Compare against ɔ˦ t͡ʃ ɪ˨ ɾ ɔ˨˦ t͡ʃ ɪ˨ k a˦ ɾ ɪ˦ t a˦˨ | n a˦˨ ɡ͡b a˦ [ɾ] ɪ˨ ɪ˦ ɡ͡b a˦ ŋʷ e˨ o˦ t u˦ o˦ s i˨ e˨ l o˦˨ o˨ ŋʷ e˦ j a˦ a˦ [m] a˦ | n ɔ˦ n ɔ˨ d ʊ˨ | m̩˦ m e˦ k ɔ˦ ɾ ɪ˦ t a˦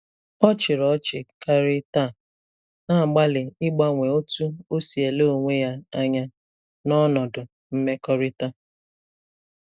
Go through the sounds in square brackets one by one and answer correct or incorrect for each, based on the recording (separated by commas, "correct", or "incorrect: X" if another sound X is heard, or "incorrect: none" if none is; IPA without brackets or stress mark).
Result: incorrect: l, incorrect: ɲ